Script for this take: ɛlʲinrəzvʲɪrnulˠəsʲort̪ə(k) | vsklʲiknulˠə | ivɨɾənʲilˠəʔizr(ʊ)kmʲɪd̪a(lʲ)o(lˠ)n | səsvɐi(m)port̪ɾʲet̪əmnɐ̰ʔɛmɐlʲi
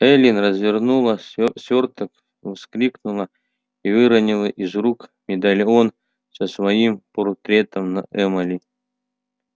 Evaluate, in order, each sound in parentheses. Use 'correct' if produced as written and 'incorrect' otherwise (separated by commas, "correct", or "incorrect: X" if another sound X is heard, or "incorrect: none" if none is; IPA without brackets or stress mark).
correct, incorrect: u, correct, incorrect: none, correct